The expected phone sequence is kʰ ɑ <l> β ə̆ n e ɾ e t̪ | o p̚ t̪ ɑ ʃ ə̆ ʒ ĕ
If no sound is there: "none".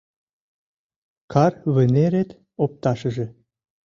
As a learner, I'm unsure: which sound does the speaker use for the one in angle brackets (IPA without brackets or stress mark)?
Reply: r